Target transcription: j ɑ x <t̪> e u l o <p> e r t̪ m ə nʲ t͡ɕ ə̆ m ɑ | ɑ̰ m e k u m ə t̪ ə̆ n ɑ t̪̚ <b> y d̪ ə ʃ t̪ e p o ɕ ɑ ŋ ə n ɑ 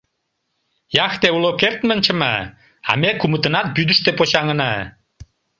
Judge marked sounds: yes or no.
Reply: yes, no, yes

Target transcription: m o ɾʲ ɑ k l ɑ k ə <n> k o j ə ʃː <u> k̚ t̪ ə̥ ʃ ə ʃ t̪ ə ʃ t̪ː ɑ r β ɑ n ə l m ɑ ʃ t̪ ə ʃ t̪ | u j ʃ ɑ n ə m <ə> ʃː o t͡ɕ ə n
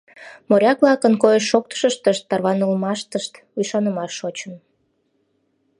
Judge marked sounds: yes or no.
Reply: yes, no, no

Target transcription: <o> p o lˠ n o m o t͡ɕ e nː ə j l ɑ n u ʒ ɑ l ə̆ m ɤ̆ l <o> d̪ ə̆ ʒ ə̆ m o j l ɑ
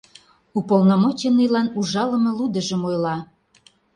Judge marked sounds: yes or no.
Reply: no, no

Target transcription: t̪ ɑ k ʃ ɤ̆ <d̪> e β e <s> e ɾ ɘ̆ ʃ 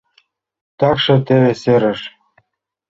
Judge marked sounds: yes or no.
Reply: no, yes

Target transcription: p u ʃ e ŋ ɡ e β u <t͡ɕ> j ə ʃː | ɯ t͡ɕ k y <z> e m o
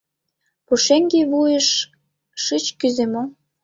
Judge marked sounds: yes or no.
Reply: no, yes

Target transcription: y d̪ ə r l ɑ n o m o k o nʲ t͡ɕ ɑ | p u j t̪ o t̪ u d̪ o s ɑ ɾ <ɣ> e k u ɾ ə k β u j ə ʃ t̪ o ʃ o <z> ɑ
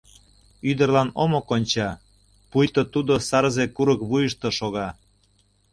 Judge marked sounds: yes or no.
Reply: no, no

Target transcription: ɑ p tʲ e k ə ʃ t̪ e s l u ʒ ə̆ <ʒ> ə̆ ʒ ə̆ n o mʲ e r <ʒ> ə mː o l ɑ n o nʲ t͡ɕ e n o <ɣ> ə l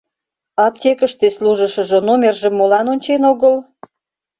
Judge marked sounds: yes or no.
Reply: no, yes, yes

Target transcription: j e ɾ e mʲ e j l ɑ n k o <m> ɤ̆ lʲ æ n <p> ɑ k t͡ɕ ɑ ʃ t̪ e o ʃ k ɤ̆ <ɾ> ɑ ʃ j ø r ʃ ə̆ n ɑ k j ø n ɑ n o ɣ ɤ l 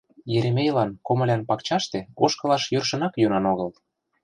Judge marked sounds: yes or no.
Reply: yes, yes, no

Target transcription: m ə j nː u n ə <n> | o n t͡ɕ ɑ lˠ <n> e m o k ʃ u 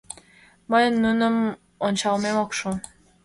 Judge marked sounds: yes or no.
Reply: no, no

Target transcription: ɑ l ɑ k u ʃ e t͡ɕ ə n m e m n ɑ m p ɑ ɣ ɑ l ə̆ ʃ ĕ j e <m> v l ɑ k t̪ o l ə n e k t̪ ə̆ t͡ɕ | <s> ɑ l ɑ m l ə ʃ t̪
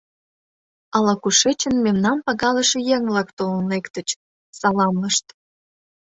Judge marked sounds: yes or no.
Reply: no, yes

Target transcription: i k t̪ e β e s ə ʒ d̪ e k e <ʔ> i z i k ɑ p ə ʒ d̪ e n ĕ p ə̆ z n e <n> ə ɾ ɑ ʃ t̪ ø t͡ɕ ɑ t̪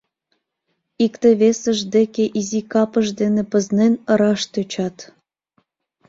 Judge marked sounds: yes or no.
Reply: yes, yes

